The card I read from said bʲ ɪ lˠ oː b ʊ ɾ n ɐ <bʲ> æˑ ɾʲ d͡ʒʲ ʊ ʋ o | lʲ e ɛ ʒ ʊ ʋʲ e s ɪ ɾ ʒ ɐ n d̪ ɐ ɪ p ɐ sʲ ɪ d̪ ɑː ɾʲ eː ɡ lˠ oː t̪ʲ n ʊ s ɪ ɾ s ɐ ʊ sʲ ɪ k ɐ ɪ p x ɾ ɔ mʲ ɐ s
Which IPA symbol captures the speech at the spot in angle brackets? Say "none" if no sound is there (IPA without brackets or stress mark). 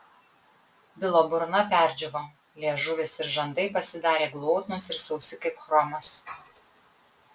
pʲ